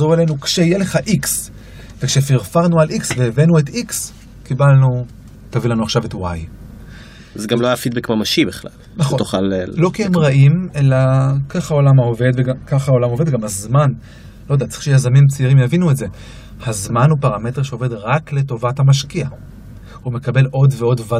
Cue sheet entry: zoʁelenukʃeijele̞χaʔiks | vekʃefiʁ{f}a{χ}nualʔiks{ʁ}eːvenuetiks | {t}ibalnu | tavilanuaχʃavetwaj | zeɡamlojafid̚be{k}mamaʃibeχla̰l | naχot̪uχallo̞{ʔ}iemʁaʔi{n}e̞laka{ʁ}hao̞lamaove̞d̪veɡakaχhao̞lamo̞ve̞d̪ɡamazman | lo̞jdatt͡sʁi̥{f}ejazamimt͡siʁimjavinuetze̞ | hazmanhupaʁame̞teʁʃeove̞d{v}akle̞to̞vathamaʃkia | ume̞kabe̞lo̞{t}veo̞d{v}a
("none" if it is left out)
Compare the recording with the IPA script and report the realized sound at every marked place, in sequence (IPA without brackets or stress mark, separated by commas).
f, ʁ, v, k, k, k, m, χ, ʃ, ʁ, d, v